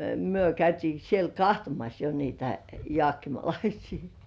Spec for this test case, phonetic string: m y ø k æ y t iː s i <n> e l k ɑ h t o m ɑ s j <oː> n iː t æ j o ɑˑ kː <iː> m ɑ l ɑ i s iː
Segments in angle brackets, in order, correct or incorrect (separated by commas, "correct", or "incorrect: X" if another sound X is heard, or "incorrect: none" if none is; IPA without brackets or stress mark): incorrect: none, incorrect: o, incorrect: i